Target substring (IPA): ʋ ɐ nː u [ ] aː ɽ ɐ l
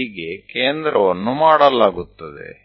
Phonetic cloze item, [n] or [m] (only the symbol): m